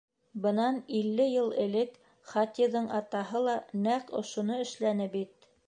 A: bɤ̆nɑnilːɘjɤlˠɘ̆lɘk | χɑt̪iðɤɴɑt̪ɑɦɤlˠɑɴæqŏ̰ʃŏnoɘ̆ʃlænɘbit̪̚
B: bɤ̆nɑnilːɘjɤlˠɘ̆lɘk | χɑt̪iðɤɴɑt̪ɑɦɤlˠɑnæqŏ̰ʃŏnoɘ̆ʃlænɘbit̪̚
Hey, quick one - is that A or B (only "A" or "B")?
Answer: B